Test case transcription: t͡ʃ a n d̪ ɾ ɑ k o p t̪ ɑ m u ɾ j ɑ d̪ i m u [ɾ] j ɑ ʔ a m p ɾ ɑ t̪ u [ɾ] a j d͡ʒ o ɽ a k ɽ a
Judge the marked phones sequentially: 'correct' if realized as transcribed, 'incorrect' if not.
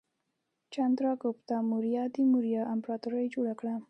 correct, correct

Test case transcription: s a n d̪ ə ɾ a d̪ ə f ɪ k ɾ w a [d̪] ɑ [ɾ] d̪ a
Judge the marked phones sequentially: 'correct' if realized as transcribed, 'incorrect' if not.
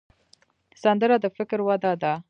correct, incorrect

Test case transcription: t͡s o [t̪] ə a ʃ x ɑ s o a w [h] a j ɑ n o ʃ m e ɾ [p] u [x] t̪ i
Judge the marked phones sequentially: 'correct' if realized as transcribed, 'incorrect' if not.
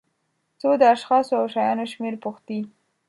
incorrect, incorrect, correct, correct

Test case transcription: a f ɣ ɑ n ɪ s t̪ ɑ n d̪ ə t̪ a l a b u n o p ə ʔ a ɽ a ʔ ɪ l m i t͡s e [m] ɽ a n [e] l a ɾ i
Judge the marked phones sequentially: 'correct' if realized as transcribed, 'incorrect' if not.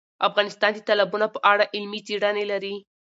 incorrect, correct

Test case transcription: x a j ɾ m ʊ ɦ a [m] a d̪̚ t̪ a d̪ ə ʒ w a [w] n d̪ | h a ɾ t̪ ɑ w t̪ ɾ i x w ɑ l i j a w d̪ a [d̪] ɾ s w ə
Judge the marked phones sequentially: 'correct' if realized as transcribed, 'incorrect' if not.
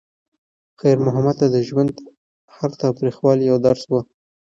correct, incorrect, incorrect

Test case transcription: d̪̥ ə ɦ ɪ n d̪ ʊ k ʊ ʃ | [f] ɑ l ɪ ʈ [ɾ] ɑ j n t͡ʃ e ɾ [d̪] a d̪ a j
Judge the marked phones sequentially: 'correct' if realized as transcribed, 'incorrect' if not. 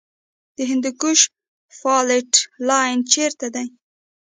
correct, incorrect, incorrect

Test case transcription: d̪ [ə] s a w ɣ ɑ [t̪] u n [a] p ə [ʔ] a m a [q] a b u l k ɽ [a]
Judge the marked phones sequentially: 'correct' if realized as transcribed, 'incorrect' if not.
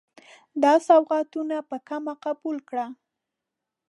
incorrect, correct, correct, incorrect, correct, correct

